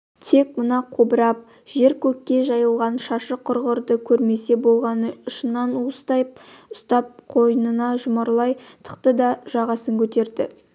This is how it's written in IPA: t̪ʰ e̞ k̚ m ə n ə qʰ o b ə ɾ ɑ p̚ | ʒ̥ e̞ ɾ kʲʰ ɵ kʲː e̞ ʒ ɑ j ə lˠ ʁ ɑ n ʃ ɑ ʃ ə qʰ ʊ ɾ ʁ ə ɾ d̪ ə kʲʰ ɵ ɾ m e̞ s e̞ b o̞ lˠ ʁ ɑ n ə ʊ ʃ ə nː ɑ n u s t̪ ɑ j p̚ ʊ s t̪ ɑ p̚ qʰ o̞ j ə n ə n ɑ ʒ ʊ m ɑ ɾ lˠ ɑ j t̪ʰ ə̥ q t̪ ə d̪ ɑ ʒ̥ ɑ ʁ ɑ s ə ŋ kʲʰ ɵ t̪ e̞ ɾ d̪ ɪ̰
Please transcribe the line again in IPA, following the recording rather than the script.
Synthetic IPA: t̪ʰ e̞ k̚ m ə n ɑ qʰ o b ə ɾ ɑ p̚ | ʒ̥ e̞ ɾ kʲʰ ɵ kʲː e̞ ʒ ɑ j ə lˠ ʁ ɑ n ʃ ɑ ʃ ə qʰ ʊ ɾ ʁ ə ɾ d̪ ə kʲʰ ɵ ɾ m e̞ s e̞ b o̞ lˠ ʁ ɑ n ə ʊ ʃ ə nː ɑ n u s t̪ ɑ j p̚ ʊ s t̪ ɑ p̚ qʰ o̞ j ə n ə n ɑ ʒ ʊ m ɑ ɾ lˠ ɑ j t̪ʰ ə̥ q t̪ ə d̪ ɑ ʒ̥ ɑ ʁ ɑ s ə ŋ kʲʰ ɵ t̪ e̞ ɾ d̪ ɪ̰